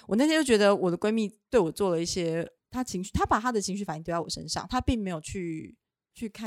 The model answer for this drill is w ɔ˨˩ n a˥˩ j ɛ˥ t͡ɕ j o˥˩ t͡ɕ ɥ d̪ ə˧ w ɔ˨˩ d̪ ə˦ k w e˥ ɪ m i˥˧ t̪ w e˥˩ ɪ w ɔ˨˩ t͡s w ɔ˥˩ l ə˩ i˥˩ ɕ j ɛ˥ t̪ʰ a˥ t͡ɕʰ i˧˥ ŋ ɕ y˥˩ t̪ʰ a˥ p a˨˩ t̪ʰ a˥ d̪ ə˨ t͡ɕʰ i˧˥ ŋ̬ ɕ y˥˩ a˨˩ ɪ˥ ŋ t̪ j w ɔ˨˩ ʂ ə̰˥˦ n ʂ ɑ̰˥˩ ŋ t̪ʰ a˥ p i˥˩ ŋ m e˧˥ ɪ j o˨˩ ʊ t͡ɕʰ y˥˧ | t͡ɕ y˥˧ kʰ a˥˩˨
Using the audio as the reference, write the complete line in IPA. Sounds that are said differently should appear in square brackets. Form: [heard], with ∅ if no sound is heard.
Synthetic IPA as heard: w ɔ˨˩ n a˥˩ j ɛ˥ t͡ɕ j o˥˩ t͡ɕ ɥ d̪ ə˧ w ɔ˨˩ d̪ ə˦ k w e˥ ɪ m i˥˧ t̪ w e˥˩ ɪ w ɔ˨˩ t͡s w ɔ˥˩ l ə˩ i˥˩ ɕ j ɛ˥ t̪ʰ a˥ t͡ɕʰ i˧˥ ŋ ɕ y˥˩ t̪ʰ a˥ p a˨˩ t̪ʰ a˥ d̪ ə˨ t͡ɕʰ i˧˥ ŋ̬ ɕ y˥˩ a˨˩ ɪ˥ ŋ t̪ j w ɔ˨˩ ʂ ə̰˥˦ n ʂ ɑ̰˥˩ ŋ t̪ʰ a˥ p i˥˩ ŋ m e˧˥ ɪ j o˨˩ ʊ t͡ɕʰ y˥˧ | [t͡ɕʰ] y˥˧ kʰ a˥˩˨